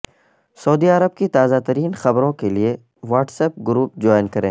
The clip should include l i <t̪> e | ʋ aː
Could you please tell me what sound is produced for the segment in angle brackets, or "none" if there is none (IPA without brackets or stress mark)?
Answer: none